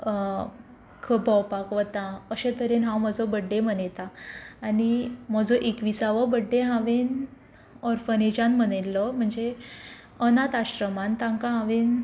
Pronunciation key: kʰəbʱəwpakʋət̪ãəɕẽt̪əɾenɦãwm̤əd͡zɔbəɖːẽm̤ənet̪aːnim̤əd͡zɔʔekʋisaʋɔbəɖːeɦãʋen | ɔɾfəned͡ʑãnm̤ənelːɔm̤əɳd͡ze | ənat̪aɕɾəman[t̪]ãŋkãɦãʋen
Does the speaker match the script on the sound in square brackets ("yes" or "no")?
yes